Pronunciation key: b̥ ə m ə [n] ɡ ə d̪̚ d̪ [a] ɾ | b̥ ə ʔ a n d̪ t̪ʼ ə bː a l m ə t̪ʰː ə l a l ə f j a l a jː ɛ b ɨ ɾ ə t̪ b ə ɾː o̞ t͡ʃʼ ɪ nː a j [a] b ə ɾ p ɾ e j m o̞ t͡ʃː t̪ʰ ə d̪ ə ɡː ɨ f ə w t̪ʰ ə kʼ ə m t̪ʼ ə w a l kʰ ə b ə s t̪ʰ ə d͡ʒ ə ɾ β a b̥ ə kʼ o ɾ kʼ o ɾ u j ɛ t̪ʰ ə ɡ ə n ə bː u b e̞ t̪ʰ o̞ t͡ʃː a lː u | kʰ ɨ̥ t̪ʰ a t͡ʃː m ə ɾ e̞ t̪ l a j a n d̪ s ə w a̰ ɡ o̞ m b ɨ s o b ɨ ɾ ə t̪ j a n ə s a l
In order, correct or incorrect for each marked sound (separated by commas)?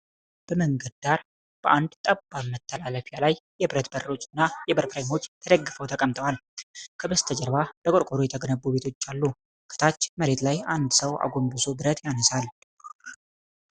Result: incorrect, correct, incorrect